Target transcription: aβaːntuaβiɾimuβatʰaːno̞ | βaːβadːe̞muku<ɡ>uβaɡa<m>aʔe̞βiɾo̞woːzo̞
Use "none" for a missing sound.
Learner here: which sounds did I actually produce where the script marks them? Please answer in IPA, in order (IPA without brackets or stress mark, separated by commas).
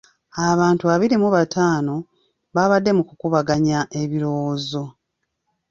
k, ɲ